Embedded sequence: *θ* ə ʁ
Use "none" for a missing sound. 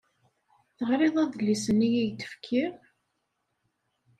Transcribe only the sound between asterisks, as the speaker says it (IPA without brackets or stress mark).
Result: θ